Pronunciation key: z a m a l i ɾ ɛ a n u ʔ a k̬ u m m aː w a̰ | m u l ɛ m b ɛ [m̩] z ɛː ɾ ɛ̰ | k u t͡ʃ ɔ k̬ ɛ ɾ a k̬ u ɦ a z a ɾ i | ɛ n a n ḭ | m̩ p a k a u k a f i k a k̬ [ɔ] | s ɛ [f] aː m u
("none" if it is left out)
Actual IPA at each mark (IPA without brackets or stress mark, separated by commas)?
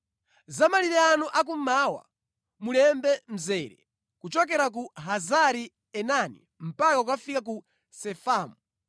m̩, u, f